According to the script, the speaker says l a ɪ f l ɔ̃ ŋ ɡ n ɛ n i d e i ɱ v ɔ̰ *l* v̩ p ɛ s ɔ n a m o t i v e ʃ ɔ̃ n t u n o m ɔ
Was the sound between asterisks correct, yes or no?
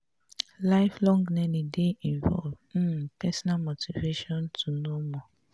yes